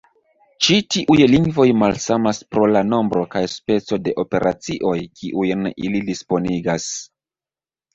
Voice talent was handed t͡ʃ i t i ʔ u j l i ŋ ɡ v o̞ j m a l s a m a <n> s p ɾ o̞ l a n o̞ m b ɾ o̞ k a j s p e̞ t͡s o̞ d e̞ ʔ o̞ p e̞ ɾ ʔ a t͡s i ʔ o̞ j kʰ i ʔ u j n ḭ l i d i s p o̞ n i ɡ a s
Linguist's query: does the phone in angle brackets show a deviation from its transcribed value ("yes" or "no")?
yes